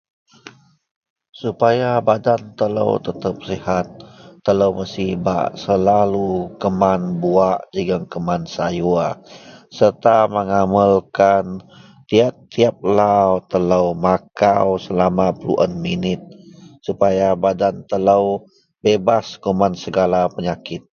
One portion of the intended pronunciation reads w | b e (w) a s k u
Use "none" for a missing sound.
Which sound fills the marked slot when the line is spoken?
b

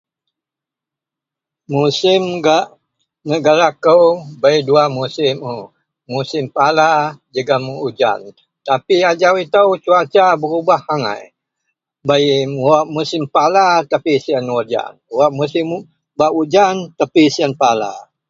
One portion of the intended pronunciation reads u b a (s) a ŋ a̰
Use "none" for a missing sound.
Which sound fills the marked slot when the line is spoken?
h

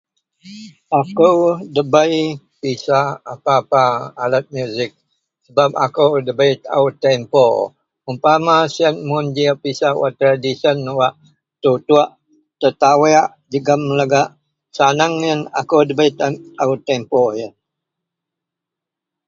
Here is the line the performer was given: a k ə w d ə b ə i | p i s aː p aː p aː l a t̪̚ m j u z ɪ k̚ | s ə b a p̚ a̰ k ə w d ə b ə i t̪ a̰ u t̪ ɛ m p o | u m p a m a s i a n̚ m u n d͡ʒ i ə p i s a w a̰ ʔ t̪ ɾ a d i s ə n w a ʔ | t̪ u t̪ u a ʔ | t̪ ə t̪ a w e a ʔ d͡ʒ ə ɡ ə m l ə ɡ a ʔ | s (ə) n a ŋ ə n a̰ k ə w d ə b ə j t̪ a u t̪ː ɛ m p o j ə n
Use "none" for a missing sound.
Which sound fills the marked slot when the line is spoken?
a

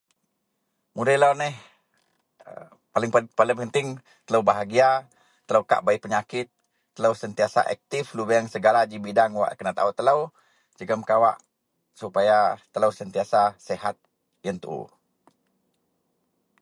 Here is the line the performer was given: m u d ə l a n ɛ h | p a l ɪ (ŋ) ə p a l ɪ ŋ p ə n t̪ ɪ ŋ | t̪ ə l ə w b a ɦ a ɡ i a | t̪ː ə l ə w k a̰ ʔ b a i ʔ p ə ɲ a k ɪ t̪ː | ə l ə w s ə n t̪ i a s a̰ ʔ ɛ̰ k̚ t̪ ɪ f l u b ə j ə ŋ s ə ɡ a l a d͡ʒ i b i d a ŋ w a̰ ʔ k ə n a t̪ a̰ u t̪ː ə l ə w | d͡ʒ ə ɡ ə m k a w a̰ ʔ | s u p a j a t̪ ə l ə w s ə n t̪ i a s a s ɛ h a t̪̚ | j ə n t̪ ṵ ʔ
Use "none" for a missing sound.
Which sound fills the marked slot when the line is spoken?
ŋ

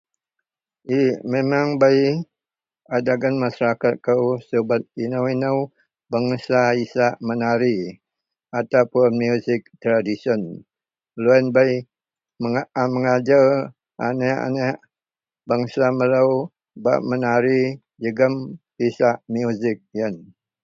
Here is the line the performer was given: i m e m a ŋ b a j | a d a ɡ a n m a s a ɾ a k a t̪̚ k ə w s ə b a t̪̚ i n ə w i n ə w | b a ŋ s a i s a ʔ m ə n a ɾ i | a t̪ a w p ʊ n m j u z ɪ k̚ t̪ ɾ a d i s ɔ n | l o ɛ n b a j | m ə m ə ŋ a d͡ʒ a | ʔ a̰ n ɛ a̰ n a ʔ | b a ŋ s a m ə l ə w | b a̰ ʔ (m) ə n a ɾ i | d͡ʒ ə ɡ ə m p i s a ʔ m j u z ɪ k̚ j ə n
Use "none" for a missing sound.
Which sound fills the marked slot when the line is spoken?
m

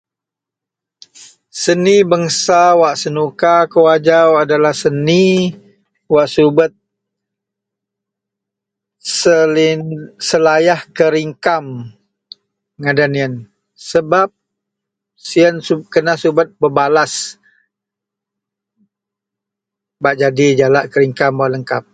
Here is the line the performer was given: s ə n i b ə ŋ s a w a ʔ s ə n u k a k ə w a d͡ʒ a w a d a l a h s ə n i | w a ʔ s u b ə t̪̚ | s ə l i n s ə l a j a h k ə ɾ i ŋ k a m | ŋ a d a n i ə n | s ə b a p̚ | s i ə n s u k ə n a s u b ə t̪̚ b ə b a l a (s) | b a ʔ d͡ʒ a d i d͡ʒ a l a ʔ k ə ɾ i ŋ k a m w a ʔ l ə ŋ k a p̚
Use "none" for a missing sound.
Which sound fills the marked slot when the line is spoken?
s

